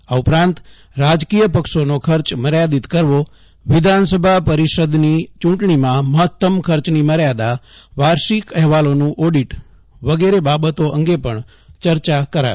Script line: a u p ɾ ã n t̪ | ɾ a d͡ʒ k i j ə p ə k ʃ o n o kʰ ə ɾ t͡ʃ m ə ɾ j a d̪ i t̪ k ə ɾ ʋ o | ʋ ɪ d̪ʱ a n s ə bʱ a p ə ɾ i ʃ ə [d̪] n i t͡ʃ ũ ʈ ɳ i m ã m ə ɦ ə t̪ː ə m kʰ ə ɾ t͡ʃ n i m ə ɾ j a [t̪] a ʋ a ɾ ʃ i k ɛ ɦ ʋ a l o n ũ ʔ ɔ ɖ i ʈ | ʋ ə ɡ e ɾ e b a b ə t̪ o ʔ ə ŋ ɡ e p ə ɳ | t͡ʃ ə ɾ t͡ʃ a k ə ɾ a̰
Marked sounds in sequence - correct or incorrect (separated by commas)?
correct, incorrect